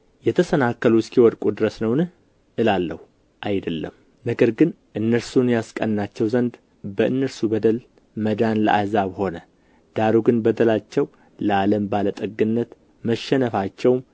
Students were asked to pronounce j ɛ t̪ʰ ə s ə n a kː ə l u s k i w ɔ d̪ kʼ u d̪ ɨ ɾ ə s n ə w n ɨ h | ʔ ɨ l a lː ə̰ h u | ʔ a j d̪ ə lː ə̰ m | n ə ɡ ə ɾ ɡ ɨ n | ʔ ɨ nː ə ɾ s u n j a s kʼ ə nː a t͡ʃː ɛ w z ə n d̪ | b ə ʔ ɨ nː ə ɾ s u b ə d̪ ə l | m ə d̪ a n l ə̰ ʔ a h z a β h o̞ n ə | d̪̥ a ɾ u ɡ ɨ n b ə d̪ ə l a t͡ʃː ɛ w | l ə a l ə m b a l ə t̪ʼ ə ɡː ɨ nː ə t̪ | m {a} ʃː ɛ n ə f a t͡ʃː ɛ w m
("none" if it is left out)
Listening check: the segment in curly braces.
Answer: ə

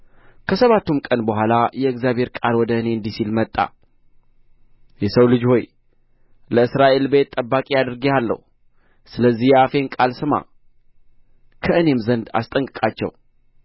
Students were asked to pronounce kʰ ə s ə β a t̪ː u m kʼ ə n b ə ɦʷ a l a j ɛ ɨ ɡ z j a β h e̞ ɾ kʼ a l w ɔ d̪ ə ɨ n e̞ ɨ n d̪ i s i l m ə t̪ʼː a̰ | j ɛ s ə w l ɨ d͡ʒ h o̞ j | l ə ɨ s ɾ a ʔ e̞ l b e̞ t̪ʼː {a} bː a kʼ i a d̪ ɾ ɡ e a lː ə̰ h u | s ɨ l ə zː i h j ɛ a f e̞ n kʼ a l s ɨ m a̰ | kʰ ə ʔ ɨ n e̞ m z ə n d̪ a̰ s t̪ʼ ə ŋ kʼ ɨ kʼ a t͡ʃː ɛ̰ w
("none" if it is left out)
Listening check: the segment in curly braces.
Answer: ə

